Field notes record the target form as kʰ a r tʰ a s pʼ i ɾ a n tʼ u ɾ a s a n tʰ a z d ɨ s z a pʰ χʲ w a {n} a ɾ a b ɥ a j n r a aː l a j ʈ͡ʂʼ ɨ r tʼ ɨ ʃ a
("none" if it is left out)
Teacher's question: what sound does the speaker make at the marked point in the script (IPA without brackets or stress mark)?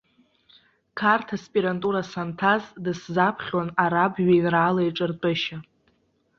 n